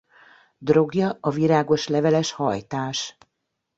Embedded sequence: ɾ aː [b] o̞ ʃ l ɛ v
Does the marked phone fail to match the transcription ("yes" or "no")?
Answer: yes